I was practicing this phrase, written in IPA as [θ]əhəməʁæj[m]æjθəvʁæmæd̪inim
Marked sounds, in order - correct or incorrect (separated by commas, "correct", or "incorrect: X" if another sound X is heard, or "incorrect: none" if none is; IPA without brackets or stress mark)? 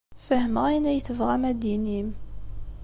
incorrect: f, incorrect: n